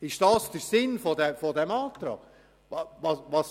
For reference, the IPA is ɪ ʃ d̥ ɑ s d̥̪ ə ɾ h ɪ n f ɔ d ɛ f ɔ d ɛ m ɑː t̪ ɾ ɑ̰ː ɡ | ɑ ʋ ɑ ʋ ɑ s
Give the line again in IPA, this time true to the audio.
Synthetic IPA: ɪ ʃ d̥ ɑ s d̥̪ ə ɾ s ɪ n f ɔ d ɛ f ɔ d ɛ m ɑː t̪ ɾ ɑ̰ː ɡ | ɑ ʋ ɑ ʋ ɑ s